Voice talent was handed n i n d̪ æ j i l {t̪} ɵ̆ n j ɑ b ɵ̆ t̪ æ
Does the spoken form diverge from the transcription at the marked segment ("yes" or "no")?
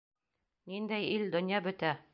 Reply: yes